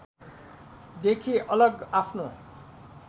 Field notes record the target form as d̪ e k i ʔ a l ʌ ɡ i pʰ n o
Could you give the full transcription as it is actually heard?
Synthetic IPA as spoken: d̪ e kʰ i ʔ ʌ l ʌ ɡ a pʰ n o